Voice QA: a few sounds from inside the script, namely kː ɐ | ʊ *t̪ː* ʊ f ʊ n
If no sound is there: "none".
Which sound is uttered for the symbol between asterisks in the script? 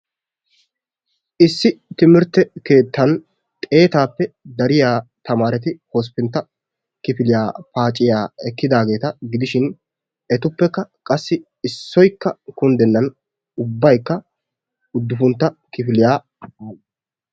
d̪ː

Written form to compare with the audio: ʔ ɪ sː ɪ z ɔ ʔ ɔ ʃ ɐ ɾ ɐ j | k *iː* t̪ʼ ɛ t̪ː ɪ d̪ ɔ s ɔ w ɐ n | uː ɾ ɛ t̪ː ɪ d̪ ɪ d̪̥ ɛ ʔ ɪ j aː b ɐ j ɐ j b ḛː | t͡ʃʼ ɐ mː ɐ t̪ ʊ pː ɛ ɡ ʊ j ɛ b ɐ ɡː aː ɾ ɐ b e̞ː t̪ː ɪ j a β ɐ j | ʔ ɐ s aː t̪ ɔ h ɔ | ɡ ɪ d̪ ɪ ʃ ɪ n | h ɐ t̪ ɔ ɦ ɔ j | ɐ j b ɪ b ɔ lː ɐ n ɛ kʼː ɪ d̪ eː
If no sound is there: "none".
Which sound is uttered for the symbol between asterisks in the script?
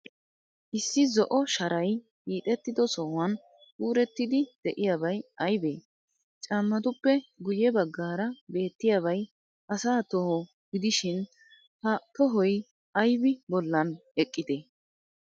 iː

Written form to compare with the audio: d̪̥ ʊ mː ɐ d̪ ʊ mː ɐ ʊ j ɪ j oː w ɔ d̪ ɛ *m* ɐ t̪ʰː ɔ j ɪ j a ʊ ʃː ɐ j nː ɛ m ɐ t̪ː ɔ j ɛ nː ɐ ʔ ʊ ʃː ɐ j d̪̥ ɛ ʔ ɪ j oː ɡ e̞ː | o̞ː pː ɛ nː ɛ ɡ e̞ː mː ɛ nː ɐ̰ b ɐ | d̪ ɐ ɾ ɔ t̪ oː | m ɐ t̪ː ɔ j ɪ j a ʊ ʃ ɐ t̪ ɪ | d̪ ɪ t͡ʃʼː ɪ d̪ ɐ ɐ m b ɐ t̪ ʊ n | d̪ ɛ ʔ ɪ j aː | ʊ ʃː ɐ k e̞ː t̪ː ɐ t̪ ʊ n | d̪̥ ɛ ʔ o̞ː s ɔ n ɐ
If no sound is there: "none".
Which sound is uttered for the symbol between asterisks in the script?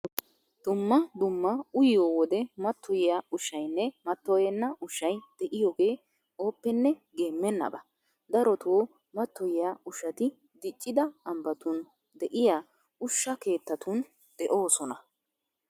m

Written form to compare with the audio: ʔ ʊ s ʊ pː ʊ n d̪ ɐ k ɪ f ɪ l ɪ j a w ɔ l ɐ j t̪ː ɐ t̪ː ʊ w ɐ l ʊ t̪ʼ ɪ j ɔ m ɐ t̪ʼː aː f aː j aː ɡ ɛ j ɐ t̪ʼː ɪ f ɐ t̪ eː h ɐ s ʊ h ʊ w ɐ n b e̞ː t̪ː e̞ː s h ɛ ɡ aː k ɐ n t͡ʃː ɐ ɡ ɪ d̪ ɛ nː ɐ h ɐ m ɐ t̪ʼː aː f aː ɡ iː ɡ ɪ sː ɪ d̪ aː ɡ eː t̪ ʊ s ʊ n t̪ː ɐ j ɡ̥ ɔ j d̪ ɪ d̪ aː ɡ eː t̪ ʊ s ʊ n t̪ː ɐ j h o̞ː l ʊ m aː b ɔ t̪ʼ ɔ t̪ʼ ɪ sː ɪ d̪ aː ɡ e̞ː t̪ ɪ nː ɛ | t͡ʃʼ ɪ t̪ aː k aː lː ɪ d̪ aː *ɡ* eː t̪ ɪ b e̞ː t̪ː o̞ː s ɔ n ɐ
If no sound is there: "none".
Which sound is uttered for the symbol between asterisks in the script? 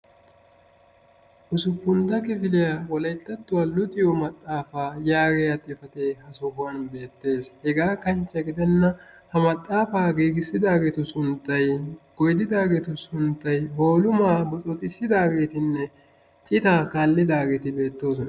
ɡ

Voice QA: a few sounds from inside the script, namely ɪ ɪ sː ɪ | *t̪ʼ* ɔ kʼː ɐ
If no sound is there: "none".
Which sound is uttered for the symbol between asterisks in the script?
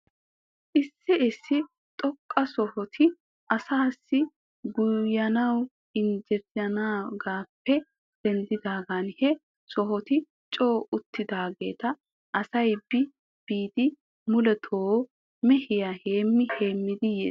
t̪ʼ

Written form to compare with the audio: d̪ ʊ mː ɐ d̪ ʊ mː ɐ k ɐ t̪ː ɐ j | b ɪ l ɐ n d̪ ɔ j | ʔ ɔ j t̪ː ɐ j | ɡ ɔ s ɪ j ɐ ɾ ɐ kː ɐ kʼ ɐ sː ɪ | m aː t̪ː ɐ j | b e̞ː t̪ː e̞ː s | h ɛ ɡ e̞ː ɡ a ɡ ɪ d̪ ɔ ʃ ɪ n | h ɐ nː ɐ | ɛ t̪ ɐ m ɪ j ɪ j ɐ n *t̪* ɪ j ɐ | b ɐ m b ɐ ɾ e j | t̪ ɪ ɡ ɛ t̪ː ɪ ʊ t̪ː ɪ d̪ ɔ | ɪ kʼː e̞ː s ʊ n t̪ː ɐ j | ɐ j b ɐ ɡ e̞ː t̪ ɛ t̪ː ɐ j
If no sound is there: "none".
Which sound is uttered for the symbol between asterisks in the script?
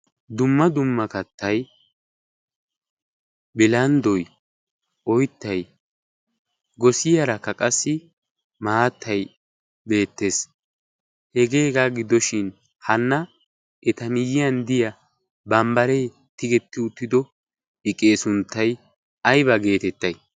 d̪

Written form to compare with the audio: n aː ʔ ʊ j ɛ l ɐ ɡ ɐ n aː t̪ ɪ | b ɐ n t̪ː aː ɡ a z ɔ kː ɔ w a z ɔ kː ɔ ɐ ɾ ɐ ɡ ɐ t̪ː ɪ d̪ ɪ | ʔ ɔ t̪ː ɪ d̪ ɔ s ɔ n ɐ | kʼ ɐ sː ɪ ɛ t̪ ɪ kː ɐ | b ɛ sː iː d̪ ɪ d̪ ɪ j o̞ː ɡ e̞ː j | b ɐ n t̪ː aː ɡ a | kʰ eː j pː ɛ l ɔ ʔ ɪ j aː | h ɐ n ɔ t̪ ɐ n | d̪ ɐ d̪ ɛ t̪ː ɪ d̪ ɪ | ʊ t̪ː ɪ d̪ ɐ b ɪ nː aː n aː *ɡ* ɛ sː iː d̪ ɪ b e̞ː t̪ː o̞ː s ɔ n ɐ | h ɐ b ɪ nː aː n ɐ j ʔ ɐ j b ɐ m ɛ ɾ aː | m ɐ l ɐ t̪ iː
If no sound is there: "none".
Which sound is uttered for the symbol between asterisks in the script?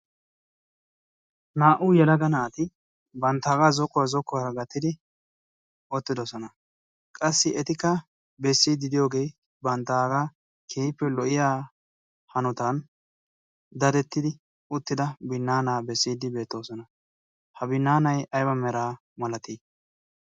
b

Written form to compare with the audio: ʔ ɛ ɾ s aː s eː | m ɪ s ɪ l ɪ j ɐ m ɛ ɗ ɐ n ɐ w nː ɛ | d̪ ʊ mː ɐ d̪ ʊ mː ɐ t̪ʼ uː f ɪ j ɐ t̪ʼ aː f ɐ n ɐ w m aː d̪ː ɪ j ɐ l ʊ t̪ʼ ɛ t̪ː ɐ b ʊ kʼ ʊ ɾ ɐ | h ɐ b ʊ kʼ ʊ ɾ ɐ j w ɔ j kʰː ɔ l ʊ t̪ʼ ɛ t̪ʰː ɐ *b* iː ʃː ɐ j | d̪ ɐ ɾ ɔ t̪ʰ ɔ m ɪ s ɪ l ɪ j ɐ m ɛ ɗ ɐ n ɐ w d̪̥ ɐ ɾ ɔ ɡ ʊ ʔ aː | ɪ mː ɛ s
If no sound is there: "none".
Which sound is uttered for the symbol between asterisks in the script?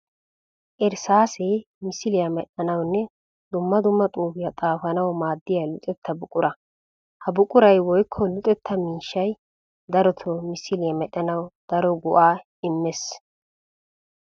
m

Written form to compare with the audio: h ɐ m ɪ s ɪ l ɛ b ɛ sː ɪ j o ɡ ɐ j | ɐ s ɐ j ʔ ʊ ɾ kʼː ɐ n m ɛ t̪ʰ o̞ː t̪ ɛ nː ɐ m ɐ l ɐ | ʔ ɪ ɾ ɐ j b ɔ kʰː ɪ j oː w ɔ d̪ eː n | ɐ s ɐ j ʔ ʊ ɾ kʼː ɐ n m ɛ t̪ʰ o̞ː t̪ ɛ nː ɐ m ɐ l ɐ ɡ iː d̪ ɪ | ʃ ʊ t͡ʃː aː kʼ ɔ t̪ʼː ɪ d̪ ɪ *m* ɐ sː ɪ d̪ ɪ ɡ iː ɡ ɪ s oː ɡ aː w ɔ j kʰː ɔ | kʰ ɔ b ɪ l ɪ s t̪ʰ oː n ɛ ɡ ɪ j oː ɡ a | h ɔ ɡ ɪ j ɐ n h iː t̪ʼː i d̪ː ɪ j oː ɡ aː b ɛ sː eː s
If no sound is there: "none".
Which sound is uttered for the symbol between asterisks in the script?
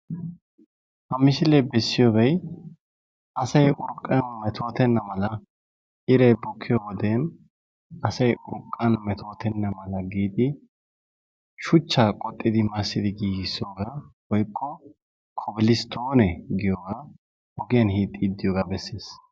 m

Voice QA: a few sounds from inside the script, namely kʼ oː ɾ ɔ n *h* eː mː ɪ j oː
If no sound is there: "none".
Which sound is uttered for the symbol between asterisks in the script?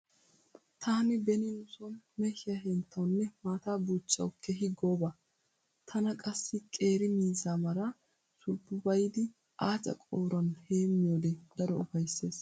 h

